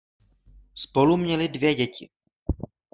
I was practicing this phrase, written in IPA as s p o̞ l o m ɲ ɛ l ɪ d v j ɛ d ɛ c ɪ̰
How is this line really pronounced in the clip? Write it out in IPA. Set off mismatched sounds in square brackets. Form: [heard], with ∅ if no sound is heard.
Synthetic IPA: s p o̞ l [u] m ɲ ɛ l ɪ d v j ɛ [ɟ] ɛ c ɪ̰